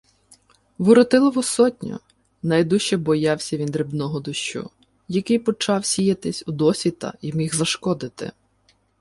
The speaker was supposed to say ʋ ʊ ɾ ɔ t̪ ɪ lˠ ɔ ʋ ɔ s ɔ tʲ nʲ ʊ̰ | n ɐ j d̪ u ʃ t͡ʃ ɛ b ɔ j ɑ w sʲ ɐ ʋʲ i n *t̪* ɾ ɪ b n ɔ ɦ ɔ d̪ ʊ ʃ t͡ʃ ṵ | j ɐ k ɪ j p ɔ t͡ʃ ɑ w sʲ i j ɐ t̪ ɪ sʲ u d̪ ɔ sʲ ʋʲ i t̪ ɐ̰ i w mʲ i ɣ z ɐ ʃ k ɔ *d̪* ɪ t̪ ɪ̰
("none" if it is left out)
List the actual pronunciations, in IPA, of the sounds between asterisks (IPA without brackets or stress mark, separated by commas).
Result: d̪, d̪